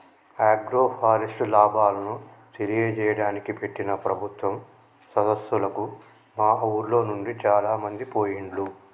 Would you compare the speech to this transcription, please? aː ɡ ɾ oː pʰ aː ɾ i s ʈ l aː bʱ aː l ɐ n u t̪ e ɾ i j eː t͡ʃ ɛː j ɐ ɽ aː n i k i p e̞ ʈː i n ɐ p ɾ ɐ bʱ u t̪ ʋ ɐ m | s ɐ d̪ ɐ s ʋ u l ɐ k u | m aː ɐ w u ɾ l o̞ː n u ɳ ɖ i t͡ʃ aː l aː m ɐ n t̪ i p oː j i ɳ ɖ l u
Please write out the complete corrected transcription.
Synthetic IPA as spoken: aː ɡ ɾ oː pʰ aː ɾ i s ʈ l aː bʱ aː l ɐ n u t̪ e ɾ i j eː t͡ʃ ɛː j ɐ ɽ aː n i k i p e̞ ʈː i n ɐ p ɾ ɐ bʱ u t̪ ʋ ɐ m | s ɐ d̪ ɐ s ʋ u l ɐ k u | m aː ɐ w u ɾ l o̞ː n u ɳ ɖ i t͡ʃ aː l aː m ɐ n d̪ i p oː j i ɳ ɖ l u